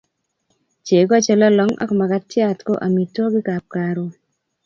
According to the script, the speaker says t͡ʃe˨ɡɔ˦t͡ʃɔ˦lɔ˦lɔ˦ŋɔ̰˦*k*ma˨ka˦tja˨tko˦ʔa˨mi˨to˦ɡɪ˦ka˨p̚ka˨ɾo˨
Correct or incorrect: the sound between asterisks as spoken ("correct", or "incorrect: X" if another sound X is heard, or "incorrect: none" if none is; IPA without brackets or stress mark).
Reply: correct